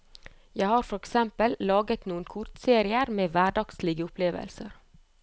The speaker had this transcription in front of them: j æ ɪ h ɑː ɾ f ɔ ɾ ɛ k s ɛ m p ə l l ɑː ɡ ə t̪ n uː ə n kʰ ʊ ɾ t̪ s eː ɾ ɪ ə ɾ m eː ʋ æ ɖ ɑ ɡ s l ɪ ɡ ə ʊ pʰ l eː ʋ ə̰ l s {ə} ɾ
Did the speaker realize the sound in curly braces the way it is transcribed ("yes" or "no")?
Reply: yes